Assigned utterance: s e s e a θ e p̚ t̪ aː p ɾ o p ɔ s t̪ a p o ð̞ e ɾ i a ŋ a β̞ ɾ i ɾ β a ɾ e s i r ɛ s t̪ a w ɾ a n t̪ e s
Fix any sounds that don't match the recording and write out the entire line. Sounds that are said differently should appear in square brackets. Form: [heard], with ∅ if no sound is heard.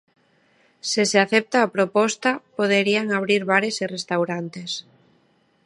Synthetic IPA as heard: s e s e a θ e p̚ t̪ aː p ɾ o p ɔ s t̪ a p o ð̞ e ɾ i a ŋ a β̞ ɾ i ɾ β a ɾ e s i r [e] s t̪ a w ɾ a n t̪ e s